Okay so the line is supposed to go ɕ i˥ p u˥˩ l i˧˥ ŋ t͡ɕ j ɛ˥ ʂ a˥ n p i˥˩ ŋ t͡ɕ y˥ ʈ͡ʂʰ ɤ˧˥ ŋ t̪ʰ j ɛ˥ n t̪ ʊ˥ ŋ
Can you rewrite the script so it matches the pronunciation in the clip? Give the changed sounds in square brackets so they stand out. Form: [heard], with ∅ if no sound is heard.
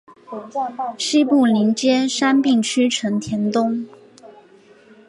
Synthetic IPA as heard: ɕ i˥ p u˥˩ l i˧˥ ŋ t͡ɕ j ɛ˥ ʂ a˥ n p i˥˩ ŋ [t͡ɕʰ] y˥ ʈ͡ʂʰ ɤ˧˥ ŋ t̪ʰ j [ɛ˧˥] n t̪ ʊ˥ ŋ